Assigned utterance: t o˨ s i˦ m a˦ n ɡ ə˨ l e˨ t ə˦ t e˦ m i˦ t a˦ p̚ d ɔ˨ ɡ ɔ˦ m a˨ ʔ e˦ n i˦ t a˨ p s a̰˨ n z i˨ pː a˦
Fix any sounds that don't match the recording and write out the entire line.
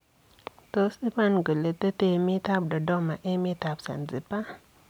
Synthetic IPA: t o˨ s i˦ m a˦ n ɡ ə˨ l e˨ t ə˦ t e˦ m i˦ t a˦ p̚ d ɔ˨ d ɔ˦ m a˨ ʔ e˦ m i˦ t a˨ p s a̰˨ n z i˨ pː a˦